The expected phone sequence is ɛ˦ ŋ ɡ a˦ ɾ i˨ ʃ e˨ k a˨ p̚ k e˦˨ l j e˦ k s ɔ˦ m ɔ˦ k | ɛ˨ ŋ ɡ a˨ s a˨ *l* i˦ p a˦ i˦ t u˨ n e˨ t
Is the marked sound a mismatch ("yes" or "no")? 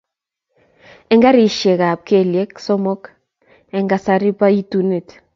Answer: yes